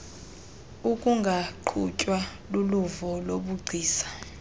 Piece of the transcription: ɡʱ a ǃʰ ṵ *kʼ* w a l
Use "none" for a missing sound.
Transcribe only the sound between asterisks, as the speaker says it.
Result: cʼ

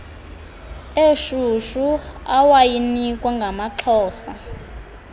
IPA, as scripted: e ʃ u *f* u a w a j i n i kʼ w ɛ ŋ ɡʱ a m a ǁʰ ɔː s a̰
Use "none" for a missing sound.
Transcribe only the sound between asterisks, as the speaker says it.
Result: ʃ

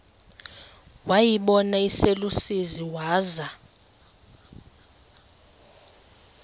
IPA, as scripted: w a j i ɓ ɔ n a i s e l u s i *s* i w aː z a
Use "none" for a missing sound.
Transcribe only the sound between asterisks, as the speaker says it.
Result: z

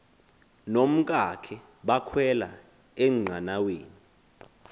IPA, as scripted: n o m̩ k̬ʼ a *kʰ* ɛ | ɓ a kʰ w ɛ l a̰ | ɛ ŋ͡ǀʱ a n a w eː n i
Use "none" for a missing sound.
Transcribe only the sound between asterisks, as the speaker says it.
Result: kʰ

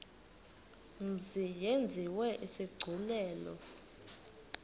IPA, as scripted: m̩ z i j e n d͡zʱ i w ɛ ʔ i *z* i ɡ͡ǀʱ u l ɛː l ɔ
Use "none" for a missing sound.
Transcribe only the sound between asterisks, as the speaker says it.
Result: s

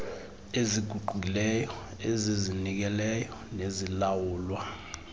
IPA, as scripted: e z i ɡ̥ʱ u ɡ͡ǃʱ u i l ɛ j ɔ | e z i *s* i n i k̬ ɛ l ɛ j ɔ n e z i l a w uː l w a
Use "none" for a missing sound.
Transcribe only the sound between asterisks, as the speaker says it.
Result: z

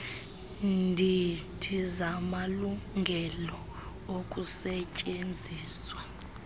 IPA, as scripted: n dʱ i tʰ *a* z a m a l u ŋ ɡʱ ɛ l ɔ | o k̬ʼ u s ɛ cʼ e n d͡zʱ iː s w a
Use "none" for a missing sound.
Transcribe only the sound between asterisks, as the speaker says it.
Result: i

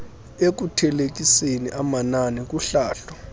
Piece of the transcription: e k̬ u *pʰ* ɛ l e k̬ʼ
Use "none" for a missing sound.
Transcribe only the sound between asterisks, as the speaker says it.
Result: tʰ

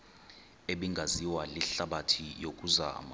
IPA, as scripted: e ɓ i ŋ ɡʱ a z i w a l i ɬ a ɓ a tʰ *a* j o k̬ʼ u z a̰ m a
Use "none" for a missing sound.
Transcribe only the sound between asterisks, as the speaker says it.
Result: i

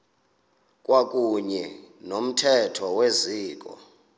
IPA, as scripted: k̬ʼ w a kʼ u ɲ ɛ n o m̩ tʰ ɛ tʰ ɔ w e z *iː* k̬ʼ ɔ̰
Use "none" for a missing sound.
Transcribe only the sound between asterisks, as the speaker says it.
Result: iː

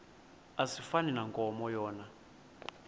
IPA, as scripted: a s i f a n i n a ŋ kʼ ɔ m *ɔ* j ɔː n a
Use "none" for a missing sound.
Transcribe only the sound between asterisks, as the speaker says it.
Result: ɔ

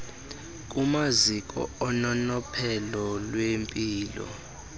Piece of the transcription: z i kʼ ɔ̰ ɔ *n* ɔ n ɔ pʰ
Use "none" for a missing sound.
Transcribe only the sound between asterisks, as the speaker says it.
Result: n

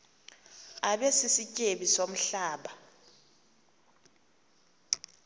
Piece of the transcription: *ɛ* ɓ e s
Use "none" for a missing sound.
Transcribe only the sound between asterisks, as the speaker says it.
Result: a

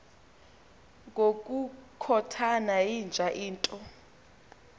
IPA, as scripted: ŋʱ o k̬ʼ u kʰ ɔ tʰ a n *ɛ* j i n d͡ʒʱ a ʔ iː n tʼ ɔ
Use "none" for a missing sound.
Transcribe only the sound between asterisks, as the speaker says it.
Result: a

